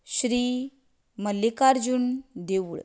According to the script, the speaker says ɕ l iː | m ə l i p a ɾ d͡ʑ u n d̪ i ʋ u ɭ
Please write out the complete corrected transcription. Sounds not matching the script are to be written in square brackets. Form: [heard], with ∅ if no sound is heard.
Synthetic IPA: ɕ [ɾ] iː | m ə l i [k] a ɾ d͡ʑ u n d̪ [e] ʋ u ɭ